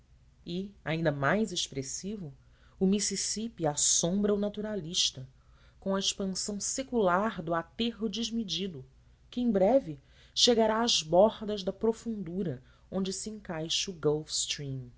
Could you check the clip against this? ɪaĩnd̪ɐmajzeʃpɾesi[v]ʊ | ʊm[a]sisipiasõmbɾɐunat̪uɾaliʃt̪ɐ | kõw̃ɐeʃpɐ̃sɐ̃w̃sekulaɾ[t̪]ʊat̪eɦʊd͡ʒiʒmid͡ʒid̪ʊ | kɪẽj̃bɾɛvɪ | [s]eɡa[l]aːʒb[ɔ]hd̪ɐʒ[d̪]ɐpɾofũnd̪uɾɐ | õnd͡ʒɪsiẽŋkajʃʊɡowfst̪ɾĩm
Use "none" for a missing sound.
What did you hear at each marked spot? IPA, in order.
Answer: v, i, d̪, ʃ, ɾ, ɔ, d̪

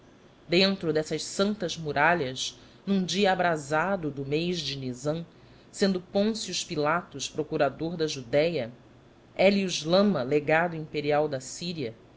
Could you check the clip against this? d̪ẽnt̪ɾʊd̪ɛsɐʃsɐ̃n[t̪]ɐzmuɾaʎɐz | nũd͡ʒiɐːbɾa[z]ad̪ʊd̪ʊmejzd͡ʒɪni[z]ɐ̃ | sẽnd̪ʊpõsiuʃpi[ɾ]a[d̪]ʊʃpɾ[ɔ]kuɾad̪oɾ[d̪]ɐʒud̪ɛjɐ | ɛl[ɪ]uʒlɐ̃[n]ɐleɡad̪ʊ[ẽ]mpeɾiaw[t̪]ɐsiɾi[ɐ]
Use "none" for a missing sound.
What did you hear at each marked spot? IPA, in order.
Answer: t̪, z, z, l, t̪, o, d̪, i, m, ĩ, d̪, ɐ

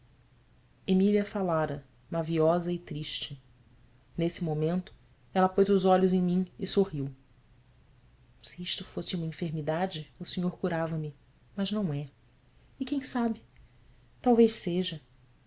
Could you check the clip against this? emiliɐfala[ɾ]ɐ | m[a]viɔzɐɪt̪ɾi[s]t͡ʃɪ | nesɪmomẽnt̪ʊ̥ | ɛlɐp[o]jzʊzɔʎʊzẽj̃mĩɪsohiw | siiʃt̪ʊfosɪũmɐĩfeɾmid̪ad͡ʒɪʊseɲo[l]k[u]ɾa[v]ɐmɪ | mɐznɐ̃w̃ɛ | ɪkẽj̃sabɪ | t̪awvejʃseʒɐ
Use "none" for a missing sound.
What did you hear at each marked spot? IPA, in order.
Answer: ɾ, a, ʃ, o, ɾ, u, v

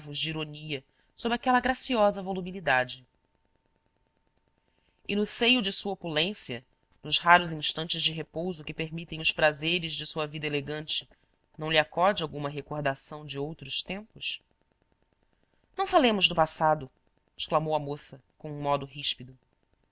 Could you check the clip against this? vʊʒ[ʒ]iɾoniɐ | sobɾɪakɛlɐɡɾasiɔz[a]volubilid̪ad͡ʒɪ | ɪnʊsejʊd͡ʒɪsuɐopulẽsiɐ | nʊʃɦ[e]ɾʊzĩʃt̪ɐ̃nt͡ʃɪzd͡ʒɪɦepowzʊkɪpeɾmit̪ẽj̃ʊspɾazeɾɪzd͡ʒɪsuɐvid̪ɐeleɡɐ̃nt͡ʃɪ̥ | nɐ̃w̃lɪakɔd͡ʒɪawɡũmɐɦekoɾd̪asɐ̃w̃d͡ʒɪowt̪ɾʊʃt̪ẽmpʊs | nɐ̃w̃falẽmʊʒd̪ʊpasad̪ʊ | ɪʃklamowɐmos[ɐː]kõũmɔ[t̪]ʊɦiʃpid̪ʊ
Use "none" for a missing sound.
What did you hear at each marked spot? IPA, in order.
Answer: d͡ʒ, ɐ, a, ɐ, d̪

